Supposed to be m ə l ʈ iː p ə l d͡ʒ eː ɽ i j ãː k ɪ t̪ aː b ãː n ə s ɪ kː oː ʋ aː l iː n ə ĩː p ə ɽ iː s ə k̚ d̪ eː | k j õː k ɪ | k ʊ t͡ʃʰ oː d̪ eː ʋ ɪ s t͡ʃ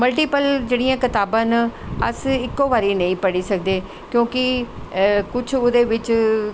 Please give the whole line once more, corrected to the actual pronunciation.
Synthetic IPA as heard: m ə l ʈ iː p ə l d͡ʒ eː ɽ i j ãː k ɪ t̪ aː b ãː n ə s ɪ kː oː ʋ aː ɾ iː n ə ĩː p ə ɽ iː s ə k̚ d̪ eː | k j õː k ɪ | k ʊ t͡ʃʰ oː d̪ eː ʋ ɪ t͡ʃ